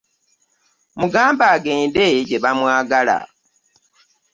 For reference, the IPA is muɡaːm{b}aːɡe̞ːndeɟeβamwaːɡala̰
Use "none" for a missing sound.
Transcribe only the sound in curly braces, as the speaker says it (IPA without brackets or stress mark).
b